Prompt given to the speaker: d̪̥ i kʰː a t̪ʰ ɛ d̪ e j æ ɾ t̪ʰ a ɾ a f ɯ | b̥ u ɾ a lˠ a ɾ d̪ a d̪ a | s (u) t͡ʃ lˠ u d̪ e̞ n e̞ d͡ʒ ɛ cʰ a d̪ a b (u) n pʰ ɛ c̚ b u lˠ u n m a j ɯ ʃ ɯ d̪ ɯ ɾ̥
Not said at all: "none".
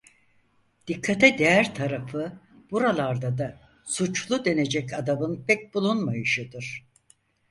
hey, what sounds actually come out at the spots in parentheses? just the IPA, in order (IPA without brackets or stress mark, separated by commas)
u, ɯ